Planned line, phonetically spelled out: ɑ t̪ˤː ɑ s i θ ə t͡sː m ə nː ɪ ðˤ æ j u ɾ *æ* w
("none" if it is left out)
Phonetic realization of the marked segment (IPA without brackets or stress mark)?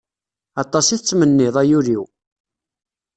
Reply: i